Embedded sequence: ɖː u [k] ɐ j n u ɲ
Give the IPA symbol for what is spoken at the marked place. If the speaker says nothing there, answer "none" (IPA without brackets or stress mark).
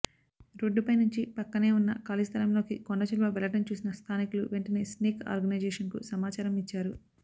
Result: p